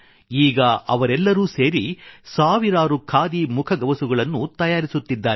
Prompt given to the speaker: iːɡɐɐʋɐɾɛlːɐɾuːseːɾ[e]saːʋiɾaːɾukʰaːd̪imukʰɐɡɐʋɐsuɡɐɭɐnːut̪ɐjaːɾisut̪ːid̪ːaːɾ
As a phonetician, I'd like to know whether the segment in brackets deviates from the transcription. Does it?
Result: yes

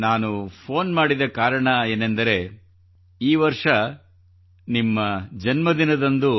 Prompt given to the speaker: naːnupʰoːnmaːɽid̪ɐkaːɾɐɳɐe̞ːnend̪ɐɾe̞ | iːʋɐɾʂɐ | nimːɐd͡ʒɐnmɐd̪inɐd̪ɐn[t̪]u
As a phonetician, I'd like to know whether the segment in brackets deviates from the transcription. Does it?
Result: yes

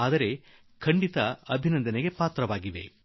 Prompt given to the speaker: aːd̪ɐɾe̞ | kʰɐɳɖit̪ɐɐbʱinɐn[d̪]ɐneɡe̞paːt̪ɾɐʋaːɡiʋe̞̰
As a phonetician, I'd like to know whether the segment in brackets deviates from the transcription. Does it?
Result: no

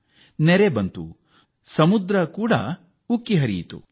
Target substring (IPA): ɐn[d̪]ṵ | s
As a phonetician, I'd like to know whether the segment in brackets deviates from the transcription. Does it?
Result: yes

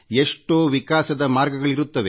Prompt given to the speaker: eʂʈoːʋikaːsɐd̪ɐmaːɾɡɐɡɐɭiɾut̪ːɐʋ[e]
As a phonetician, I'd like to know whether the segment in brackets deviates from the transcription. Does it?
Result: no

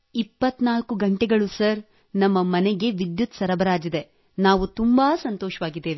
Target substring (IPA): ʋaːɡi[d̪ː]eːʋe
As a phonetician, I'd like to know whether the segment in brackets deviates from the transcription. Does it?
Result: no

